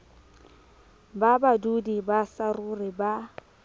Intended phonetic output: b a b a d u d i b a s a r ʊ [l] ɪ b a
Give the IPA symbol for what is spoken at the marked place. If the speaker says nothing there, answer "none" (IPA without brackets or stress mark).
r